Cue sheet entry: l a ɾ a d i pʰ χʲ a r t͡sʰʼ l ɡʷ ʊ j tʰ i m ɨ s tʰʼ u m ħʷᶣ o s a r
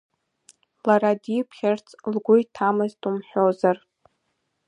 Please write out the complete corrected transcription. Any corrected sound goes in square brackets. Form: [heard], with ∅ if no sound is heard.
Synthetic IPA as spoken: l a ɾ a d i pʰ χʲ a r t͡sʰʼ l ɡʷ ʊ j tʰ [a] m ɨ [z] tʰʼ u m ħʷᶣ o [z] a r